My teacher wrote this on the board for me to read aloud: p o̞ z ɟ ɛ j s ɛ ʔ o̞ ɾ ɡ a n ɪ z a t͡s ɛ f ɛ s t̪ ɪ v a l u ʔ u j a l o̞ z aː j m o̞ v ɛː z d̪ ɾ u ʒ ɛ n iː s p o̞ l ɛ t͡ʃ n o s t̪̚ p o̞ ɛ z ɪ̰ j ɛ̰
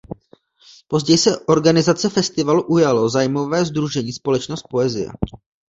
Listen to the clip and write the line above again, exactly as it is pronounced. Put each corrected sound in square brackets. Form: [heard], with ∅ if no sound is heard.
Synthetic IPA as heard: p o̞ z ɟ ɛ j s ɛ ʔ o̞ ɾ ɡ a n ɪ z a t͡s ɛ f ɛ s t̪ ɪ v a l u ʔ u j a l o̞ z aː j m o̞ v ɛː z d̪ ɾ u ʒ ɛ [ɲ] iː s p o̞ l ɛ t͡ʃ n o s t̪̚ p o̞ ɛ z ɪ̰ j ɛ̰